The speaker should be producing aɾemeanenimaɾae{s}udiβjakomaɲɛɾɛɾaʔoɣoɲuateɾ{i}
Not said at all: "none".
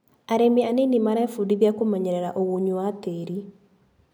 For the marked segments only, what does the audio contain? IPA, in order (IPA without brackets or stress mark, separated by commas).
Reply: f, i